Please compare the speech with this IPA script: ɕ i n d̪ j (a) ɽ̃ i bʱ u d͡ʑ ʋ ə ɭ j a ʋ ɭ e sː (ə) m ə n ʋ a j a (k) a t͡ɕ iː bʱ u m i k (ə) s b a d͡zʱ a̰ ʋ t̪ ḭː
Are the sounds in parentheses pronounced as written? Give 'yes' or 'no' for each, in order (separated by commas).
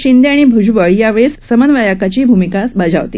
yes, yes, yes, no